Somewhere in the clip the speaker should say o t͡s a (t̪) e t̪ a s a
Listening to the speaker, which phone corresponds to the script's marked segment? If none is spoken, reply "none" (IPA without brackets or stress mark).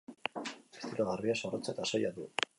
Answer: none